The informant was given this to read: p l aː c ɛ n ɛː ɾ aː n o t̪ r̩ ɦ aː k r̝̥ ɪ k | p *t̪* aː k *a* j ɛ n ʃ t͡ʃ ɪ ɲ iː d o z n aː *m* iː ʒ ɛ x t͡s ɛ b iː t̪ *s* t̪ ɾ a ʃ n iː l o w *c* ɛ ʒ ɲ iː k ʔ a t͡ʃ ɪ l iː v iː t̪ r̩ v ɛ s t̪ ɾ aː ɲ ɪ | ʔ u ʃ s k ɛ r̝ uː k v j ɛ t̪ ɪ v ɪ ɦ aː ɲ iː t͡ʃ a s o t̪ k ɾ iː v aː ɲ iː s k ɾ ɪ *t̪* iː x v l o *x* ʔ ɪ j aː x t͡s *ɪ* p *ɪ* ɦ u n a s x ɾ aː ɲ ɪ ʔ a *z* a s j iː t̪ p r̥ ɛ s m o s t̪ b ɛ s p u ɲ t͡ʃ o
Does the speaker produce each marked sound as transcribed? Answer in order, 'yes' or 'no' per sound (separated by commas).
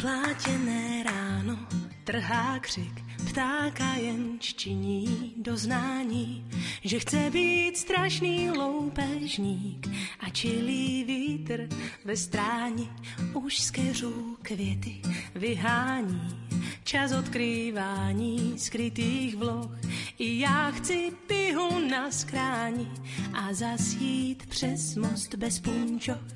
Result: yes, yes, no, yes, no, yes, yes, yes, yes, yes